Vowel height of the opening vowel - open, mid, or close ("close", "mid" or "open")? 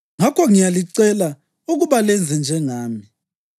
open